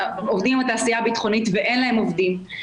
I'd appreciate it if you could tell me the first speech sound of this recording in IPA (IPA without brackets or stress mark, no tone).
o